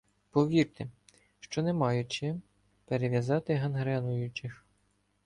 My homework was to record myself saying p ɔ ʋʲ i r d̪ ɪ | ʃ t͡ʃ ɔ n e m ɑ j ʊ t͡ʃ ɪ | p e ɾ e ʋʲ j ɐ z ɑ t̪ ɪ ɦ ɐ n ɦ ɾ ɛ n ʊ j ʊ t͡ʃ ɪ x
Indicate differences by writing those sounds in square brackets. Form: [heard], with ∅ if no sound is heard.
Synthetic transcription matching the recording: p ɔ ʋʲ i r [t̪] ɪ | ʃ t͡ʃ ɔ n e m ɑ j ʊ t͡ʃ ɪ | p e ɾ e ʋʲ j ɐ z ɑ t̪ ɪ ɦ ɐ n ɦ ɾ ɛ n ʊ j ʊ t͡ʃ ɪ x